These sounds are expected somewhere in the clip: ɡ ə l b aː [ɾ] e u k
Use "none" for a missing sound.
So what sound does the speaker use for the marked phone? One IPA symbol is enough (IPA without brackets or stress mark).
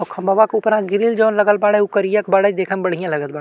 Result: ɽ